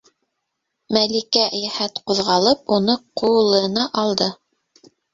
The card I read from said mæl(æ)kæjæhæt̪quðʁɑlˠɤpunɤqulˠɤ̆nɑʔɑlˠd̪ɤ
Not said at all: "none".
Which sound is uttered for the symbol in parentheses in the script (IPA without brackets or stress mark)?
i